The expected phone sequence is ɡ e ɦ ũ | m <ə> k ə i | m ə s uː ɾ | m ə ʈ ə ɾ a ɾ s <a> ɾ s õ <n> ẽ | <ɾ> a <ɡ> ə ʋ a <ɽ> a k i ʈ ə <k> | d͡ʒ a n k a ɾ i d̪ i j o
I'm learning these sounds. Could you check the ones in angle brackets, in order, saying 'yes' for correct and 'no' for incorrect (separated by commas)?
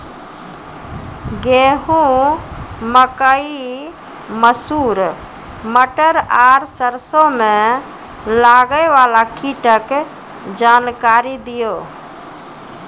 yes, no, no, no, yes, no, yes